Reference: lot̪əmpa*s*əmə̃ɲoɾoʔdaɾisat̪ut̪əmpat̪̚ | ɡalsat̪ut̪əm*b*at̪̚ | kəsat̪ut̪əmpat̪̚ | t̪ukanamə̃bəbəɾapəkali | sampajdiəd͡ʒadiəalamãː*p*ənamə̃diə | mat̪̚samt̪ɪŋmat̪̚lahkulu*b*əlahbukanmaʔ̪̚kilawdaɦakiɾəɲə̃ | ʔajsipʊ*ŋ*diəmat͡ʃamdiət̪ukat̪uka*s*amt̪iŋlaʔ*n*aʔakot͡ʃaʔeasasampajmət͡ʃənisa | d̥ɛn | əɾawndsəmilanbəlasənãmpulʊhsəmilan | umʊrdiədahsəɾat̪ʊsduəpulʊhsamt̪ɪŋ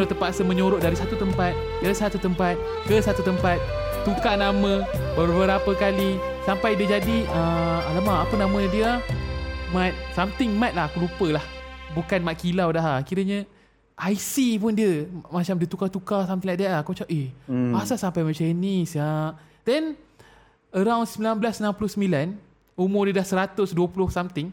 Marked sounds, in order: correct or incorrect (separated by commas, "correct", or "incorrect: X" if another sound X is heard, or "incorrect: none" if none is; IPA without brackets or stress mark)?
correct, incorrect: p, correct, incorrect: p, incorrect: n, correct, incorrect: d